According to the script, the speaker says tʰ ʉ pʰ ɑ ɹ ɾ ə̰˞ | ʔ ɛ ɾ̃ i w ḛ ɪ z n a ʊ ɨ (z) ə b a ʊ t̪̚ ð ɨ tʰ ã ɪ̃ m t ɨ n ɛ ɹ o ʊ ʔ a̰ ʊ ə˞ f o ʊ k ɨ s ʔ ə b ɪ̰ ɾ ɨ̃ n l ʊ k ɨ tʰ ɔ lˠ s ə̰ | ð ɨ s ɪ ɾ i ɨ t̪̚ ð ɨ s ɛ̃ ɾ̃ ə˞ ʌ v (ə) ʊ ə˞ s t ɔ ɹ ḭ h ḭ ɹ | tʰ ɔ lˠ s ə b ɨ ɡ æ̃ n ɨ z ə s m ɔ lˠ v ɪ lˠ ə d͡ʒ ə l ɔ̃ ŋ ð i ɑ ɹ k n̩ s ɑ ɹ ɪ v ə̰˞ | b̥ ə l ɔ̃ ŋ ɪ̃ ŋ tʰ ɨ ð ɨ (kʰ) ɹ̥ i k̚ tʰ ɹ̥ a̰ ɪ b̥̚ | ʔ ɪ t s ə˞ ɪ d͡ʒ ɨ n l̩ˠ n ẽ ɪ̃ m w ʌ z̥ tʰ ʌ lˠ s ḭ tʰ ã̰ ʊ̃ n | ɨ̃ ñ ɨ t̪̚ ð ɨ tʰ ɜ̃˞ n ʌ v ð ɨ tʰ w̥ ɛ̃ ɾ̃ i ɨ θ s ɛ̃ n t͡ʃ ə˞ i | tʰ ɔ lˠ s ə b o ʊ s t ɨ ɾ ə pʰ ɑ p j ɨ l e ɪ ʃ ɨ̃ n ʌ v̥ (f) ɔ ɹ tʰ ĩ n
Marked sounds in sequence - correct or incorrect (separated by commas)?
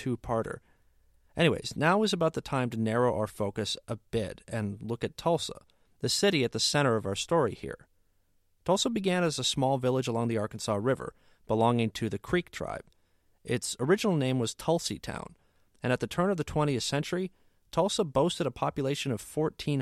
correct, incorrect, correct, correct